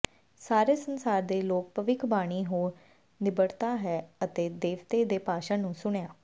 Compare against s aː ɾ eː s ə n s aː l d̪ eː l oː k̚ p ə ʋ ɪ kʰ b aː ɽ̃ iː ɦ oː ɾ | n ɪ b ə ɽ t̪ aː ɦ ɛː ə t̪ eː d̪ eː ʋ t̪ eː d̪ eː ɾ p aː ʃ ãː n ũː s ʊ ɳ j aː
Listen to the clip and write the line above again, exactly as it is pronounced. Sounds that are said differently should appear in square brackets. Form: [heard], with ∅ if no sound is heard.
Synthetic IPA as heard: s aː ɾ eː s ə n s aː [ɾ] d̪ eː l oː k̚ p ə ʋ ɪ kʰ b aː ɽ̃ iː ɦ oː ɾ | n ɪ b ə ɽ t̪ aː ɦ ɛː ə t̪ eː d̪ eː ʋ t̪ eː d̪ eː [∅] p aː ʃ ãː n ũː s ʊ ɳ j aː